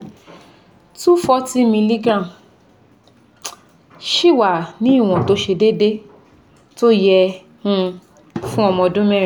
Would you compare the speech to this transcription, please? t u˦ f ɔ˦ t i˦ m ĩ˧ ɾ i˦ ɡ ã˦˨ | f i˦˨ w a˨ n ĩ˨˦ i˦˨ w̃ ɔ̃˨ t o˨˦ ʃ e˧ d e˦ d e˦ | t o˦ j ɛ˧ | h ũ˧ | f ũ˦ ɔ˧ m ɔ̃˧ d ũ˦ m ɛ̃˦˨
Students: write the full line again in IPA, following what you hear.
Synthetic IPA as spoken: t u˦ f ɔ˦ t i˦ m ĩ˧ l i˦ ɡ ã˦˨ | ʃ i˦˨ w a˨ n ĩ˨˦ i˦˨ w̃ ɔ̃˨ t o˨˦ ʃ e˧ d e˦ d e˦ | t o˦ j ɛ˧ | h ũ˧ | f ũ˦ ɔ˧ m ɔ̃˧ d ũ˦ m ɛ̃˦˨